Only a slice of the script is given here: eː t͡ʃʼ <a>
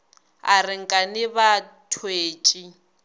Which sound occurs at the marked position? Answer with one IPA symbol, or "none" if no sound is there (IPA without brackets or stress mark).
i